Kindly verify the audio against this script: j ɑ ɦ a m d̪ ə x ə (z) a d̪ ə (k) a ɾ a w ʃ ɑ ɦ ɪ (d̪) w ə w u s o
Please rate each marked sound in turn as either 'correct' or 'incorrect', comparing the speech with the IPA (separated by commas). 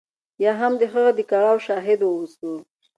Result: incorrect, correct, correct